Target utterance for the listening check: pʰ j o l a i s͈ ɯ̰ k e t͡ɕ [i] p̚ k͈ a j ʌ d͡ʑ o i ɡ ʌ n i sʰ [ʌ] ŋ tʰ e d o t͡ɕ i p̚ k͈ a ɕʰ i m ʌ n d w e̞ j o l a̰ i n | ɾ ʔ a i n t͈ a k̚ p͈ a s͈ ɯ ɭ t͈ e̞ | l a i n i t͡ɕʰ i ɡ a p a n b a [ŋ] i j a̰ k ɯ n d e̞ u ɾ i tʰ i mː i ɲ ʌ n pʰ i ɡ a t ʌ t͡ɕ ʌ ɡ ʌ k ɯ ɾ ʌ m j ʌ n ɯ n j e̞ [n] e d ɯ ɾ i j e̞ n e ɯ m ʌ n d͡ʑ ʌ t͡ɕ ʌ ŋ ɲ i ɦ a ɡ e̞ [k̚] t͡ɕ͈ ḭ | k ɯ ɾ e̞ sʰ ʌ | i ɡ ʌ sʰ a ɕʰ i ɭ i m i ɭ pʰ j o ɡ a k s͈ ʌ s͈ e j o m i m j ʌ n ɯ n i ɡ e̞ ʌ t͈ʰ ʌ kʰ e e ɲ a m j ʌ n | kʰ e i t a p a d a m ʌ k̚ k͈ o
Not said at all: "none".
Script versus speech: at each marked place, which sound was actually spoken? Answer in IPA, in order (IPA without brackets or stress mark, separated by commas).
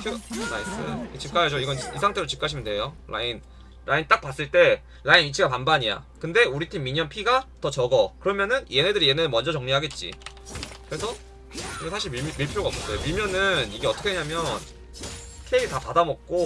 i, a, ɲ, n, t̚